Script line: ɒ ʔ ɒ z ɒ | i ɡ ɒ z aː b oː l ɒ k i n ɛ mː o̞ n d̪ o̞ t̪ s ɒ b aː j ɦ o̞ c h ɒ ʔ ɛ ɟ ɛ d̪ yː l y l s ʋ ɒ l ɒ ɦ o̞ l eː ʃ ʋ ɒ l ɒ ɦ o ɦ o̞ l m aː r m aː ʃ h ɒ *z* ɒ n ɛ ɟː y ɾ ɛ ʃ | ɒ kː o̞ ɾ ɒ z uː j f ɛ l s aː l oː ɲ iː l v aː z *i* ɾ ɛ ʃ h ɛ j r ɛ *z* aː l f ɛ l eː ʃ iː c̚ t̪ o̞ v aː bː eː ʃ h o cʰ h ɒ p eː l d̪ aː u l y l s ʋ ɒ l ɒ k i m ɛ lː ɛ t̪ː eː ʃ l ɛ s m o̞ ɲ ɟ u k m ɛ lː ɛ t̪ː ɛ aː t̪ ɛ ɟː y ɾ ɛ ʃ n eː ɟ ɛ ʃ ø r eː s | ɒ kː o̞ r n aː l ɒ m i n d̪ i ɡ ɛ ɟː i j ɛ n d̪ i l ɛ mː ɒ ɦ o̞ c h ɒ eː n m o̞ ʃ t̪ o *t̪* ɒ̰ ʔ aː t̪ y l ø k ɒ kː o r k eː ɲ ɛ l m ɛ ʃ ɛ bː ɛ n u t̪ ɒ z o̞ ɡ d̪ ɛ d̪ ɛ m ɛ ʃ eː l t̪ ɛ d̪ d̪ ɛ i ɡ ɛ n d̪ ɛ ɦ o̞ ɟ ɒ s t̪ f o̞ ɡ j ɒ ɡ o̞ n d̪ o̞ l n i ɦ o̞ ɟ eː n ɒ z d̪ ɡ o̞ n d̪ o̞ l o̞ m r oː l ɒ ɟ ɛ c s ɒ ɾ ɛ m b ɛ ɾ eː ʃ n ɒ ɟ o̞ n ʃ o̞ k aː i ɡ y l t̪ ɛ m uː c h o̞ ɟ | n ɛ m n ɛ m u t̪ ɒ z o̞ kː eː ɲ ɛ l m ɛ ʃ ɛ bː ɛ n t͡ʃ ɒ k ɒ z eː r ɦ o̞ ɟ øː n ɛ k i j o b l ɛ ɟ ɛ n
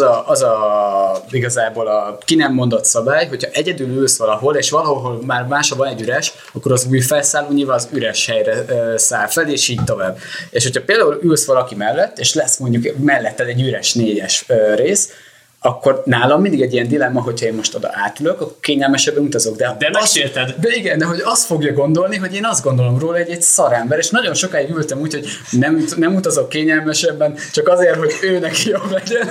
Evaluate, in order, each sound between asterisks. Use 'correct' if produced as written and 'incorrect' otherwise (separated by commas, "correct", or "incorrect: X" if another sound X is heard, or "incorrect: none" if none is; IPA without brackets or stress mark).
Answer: incorrect: v, incorrect: y, incorrect: s, incorrect: d̪